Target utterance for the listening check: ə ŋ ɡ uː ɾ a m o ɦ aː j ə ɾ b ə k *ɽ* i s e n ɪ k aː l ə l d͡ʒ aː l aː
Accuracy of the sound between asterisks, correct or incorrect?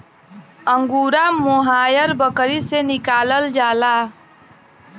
incorrect